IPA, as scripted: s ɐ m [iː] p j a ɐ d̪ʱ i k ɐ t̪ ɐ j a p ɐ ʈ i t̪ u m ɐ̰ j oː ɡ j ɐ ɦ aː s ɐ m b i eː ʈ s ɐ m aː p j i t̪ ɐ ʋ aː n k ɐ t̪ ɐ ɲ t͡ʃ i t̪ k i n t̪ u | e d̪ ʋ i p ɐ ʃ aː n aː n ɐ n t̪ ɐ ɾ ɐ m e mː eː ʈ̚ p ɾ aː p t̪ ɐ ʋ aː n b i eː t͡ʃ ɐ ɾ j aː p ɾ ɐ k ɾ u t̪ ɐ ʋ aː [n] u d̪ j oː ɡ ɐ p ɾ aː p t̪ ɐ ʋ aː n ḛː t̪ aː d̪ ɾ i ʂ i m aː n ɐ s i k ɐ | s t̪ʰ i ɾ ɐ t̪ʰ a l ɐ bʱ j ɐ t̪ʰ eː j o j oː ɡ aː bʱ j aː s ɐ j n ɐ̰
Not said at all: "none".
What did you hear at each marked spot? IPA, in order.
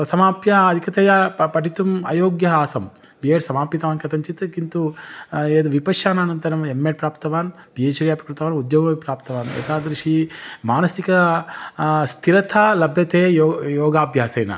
aː, n

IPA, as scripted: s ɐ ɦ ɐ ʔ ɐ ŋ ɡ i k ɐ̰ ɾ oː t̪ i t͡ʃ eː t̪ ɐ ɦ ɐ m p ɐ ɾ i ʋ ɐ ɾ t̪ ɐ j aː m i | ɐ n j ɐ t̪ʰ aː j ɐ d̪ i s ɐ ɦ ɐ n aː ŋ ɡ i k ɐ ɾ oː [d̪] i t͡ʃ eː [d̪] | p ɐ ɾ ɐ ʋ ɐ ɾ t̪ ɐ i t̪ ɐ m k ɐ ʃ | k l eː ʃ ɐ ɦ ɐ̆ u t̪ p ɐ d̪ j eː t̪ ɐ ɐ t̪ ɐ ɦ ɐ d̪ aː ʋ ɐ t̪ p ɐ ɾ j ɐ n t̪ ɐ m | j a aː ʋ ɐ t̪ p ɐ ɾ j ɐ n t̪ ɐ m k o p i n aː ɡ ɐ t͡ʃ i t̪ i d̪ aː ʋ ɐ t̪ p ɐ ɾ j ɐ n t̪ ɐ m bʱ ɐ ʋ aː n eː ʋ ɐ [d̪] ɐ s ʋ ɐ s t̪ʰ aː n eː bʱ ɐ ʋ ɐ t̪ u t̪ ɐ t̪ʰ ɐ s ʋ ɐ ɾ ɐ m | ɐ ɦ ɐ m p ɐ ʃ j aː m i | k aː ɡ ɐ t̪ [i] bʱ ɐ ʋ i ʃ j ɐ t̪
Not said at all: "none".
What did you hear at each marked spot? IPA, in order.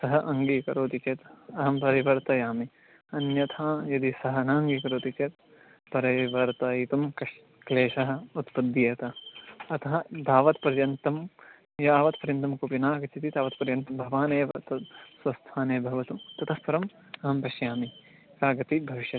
t̪, t̪, t̪, i

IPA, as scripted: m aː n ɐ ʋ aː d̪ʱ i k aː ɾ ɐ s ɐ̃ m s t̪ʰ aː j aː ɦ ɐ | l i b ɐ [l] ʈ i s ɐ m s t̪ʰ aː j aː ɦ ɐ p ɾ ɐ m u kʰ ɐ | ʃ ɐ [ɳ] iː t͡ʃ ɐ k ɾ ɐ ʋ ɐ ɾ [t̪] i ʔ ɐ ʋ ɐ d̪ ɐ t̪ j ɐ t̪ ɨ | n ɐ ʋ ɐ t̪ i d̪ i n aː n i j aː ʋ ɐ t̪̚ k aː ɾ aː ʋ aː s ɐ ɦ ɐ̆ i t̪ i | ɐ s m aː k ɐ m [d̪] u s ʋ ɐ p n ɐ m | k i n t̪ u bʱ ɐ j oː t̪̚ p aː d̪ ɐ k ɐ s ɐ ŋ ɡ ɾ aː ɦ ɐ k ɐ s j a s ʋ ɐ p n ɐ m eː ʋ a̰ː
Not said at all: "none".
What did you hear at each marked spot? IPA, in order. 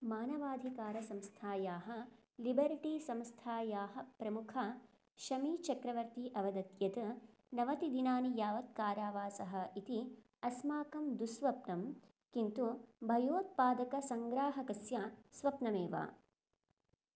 ɾ, m, t̪, d̪

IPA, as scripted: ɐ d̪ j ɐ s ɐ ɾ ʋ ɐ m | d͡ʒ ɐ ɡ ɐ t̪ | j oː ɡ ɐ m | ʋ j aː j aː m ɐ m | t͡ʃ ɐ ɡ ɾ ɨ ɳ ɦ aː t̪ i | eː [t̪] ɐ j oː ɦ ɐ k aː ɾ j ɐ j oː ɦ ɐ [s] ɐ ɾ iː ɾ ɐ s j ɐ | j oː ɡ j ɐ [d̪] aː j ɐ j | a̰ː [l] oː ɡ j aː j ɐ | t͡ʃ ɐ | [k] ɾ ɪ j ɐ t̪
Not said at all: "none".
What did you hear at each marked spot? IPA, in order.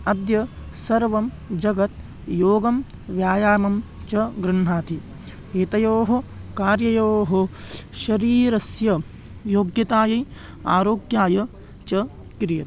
t̪, ʃ, t̪, ɾ, k

